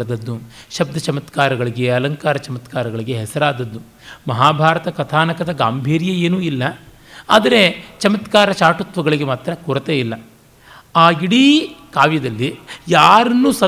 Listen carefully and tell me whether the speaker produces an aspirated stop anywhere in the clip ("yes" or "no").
yes